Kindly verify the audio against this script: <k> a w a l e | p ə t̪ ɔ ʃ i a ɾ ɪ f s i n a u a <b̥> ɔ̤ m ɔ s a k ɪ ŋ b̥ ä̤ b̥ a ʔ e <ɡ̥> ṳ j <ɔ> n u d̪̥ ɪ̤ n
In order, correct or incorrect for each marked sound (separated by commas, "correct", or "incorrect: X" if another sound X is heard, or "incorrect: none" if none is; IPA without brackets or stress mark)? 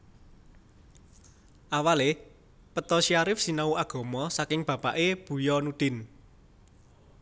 incorrect: ʔ, incorrect: ɡ̥, incorrect: b̥, correct